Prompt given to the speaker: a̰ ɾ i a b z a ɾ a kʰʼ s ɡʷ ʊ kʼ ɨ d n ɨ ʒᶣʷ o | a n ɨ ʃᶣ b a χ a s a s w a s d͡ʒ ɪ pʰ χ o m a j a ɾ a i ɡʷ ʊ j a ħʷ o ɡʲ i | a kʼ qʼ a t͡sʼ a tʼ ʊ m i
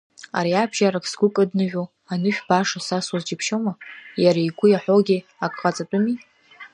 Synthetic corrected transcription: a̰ ɾ i a b ʒ a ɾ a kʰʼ s ɡʷ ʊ kʼ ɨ d n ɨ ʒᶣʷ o | a n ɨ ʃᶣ b a ʂ a s a s w a z d͡ʒ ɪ pʰ ʃ o m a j a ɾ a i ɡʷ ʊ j a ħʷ o ɡʲ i | a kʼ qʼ a t͡sʼ a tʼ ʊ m i